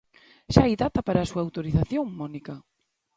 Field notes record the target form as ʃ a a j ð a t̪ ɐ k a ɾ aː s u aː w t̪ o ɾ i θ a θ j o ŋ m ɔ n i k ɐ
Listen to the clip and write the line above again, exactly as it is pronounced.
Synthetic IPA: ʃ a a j ð a t̪ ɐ p a ɾ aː s u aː w t̪ o ɾ i θ a θ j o ŋ m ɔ n i k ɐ